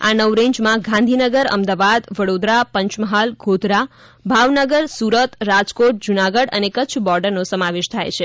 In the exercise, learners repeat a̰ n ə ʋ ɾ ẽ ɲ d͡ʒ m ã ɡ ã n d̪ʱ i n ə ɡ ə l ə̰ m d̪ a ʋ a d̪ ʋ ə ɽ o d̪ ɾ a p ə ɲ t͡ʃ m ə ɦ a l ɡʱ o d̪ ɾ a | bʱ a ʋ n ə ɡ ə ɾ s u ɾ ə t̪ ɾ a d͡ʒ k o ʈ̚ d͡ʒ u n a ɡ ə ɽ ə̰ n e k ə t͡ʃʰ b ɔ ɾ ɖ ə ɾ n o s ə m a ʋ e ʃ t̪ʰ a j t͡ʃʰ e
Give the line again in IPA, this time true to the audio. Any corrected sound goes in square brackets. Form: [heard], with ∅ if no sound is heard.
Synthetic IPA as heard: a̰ n ə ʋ ɾ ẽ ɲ d͡ʒ m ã ɡ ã n d̪ʱ i n ə ɡ ə [ɾ] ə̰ m d̪ a ʋ a d̪ ʋ ə ɽ o d̪ ɾ a p ə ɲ t͡ʃ m ə ɦ a l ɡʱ o d̪ ɾ a | bʱ a ʋ n ə ɡ ə ɾ s u ɾ ə t̪ ɾ a d͡ʒ k o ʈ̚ d͡ʒ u n a ɡ ə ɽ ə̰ n e k ə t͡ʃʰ b ɔ ɾ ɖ ə ɾ n o s ə m a ʋ e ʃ t̪ʰ a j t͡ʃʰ e

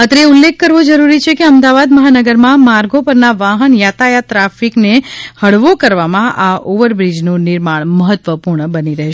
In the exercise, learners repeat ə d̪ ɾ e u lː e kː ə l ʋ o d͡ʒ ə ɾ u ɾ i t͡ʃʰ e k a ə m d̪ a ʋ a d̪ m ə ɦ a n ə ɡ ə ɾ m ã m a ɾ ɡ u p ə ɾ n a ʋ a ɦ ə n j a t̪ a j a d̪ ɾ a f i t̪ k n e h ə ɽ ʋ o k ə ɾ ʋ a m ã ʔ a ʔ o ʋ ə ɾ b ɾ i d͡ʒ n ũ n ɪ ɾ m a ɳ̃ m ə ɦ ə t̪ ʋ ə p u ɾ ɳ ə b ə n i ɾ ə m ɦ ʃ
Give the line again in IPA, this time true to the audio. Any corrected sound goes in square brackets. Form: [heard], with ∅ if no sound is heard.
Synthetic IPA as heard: ə [t̪] ɾ e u lː e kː ə [ɾ] ʋ o d͡ʒ ə ɾ u ɾ i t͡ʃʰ e k [e] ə m d̪ a ʋ a d̪ m ə ɦ a n ə ɡ ə ɾ m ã m a ɾ ɡ [o] p ə ɾ n a ʋ a ɦ ə n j a t̪ a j a [t̪] ɾ a f i [∅] k n e h ə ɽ ʋ o k ə ɾ ʋ a m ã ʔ a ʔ o ʋ ə ɾ b ɾ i d͡ʒ n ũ n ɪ ɾ m a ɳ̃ m ə ɦ ə t̪ ʋ ə p u ɾ ɳ ə b ə n i ɾ ə [∅] ɦ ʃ

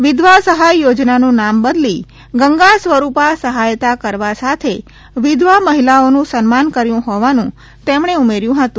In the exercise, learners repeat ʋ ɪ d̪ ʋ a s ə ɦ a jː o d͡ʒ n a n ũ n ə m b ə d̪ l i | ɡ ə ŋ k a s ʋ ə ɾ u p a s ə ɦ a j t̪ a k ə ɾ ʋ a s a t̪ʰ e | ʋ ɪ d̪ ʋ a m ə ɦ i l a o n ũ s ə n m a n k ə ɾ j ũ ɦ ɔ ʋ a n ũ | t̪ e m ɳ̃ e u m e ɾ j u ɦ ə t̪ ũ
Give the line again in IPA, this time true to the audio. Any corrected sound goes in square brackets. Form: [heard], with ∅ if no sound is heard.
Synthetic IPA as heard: ʋ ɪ d̪ ʋ a s ə ɦ a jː o d͡ʒ n a n ũ n [a] m b ə d̪ l i | ɡ ə ŋ [ɡ] a s ʋ ə ɾ u p a s ə ɦ a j t̪ a k ə ɾ ʋ a s a t̪ʰ e | ʋ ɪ d̪ ʋ a m ə ɦ i l a o n ũ s ə n m a n k ə ɾ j ũ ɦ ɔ ʋ a n ũ | t̪ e m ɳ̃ e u m e ɾ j [ũ] ɦ ə t̪ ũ

